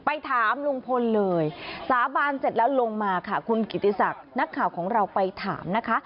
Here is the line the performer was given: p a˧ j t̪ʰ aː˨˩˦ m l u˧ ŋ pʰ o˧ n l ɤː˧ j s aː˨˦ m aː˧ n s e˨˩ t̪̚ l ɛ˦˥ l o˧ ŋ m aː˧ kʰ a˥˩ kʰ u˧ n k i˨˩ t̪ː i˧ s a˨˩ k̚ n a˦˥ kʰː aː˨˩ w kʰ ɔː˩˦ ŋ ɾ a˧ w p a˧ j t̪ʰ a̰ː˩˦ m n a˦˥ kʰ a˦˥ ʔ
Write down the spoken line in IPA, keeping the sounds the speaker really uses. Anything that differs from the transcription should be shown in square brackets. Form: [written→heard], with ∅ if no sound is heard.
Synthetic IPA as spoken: p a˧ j t̪ʰ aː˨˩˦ m l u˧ ŋ pʰ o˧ n l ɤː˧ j s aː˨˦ [m→b] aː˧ n s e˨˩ t̪̚ l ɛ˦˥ l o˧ ŋ m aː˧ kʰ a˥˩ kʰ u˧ n k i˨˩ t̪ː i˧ s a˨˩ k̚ n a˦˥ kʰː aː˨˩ w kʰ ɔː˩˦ ŋ ɾ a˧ w p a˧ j t̪ʰ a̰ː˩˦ m n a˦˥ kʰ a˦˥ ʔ